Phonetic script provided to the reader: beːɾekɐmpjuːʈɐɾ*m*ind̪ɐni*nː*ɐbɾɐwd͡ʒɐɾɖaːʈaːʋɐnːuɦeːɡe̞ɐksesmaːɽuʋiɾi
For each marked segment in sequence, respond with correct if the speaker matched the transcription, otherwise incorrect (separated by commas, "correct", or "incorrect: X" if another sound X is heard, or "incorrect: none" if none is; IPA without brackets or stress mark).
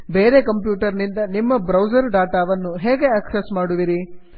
incorrect: n, incorrect: mː